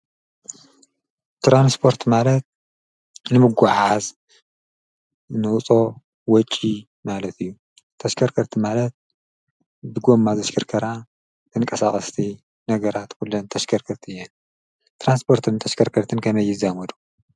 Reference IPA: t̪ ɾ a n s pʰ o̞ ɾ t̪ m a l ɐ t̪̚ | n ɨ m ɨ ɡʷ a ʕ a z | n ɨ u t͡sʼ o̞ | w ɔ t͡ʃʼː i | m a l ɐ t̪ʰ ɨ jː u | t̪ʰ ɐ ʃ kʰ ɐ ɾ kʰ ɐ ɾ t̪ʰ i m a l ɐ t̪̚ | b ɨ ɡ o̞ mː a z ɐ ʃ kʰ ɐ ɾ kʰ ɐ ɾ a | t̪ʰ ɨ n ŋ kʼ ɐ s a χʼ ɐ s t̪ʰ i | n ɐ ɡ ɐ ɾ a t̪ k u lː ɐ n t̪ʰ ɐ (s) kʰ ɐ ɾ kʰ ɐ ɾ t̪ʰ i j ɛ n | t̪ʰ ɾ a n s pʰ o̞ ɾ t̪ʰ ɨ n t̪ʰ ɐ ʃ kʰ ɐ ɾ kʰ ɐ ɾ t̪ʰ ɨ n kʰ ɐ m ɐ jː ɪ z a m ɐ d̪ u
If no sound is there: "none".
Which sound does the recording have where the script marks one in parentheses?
ʃ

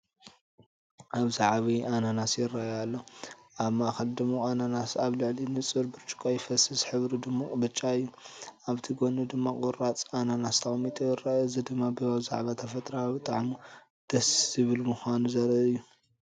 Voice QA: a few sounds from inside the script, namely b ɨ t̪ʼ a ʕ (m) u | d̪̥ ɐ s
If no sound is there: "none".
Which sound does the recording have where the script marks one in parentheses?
m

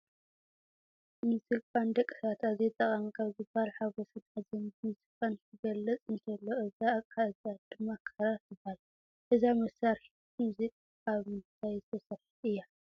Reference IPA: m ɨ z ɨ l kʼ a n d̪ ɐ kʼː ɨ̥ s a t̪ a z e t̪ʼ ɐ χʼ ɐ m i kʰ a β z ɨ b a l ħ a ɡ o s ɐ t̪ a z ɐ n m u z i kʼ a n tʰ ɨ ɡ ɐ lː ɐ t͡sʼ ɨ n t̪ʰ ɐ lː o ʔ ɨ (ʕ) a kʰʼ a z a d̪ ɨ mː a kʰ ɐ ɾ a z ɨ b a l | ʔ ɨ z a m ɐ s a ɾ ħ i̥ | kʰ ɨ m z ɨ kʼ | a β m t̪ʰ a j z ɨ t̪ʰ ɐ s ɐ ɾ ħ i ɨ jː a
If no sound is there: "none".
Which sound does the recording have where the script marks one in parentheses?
z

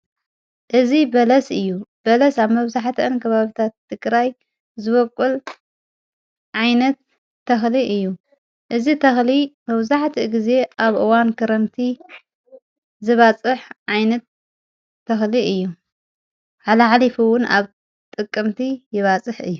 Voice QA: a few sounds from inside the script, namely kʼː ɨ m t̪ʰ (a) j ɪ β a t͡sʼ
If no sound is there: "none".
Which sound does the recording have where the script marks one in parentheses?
i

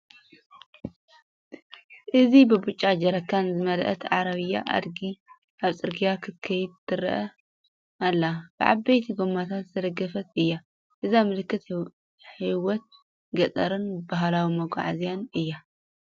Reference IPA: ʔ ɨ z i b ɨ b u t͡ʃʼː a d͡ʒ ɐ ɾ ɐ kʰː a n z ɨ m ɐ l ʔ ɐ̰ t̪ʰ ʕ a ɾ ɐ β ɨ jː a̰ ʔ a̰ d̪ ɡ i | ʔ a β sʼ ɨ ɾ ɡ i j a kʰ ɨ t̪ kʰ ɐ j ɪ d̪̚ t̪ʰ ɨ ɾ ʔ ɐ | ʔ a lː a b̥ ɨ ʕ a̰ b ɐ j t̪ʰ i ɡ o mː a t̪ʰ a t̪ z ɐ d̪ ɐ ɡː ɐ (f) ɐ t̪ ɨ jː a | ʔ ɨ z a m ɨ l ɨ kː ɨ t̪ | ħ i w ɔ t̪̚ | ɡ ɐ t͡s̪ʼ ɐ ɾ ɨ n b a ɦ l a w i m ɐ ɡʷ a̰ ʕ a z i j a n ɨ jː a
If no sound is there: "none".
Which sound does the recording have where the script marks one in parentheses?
f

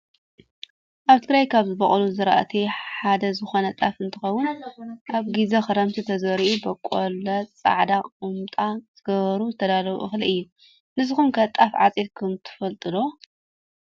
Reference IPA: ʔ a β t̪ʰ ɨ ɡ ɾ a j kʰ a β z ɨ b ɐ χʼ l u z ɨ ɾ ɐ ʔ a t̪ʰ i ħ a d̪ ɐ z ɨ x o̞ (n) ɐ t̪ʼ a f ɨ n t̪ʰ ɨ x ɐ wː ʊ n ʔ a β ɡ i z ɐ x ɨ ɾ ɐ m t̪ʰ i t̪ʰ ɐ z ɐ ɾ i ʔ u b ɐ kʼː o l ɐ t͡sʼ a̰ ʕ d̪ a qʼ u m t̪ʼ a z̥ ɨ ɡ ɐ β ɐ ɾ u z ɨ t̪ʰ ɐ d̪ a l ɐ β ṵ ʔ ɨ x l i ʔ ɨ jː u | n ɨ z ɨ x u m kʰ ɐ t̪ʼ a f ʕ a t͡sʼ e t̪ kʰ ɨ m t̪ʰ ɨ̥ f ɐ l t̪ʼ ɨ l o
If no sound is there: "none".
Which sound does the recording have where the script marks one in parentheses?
n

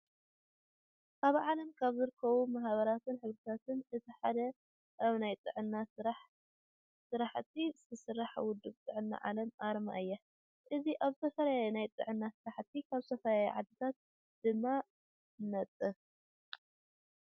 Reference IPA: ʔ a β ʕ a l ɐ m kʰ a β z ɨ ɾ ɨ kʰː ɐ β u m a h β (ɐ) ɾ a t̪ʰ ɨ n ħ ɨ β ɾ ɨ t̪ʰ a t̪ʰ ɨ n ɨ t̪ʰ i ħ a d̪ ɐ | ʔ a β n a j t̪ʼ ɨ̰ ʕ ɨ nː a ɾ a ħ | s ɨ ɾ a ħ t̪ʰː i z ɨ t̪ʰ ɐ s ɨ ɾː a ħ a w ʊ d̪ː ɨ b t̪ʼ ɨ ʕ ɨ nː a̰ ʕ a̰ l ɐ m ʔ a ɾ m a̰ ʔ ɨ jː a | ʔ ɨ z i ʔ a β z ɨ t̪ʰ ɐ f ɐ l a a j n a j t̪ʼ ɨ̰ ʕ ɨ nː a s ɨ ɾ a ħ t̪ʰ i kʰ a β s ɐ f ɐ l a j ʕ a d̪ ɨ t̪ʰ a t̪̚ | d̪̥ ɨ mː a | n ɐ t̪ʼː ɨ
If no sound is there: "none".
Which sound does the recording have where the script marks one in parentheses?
ɐ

